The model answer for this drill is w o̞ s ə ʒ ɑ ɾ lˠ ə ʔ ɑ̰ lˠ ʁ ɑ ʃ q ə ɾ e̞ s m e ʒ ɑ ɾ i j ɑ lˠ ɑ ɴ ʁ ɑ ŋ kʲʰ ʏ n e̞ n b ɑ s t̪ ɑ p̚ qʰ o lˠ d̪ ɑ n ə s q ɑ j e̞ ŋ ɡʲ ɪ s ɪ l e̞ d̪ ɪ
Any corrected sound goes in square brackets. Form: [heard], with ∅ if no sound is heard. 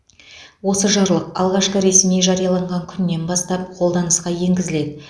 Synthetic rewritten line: w o̞ s ə ʒ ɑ ɾ lˠ ə [q] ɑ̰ lˠ ʁ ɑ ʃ q ə ɾ e̞ s m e ʒ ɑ ɾ i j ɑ lˠ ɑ ɴ ʁ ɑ ŋ kʲʰ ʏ [nː] e̞ n b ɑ s t̪ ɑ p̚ qʰ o lˠ d̪ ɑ n ə s q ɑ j e̞ ŋ ɡʲ ɪ [z] ɪ l e̞ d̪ ɪ